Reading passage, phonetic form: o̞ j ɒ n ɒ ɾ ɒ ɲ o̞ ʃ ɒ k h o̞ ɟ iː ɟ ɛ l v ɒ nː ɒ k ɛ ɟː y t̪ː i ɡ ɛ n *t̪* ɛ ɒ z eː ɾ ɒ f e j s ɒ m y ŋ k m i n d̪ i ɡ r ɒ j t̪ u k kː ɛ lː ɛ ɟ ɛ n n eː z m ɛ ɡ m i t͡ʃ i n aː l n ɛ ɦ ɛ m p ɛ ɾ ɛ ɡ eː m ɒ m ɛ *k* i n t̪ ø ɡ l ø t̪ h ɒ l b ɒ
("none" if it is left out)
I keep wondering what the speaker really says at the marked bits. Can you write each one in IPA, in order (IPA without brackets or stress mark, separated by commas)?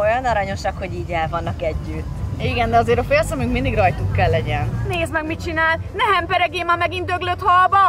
d̪, ɡ